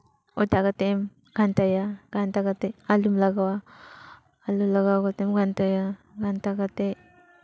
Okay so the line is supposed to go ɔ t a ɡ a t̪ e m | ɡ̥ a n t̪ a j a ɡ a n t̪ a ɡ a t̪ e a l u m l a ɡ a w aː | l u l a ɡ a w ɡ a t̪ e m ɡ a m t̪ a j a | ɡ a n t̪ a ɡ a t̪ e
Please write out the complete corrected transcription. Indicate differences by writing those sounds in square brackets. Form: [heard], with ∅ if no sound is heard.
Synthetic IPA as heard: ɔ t a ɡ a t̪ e m | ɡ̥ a n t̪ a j a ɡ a n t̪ a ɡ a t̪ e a l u m l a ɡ a w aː | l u l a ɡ a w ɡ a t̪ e m ɡ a [n] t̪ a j a | ɡ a n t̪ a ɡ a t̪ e